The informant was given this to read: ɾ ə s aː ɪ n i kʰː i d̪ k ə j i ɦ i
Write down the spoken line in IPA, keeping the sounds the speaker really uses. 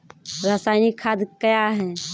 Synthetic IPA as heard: ɾ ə s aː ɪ n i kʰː a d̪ k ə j a ɦ ɛ